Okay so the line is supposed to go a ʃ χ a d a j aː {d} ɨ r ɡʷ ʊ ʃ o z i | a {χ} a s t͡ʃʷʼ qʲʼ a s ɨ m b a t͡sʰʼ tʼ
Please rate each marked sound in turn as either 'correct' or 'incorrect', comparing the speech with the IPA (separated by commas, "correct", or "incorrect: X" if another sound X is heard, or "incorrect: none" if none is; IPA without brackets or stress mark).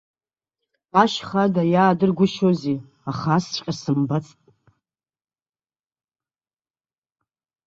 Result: correct, correct